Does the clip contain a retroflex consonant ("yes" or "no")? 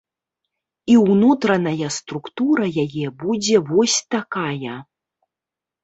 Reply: no